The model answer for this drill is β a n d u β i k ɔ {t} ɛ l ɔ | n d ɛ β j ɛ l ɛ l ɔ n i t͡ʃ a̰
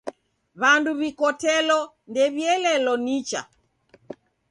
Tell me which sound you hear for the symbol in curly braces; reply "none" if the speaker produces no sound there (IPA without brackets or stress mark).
t